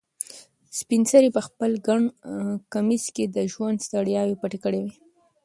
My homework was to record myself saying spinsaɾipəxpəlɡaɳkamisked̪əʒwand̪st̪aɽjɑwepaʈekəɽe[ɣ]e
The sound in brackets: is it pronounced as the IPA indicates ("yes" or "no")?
no